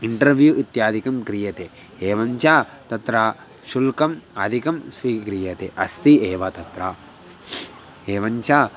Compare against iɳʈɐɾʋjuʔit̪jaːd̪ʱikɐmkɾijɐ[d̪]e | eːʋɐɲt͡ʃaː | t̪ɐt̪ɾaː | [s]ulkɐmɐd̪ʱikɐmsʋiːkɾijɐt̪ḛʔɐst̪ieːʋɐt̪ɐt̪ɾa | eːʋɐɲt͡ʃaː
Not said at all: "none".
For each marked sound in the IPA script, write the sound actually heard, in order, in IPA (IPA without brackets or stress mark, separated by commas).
t̪, ʃ